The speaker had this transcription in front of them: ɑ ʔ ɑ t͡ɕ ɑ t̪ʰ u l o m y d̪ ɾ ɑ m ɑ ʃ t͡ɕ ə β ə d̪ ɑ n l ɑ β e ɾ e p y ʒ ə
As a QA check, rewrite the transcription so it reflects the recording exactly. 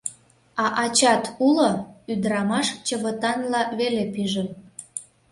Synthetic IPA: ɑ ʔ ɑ t͡ɕ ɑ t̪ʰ u l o y d̪ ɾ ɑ m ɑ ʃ t͡ɕ ə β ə t̪ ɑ n l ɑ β e l e p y ʒ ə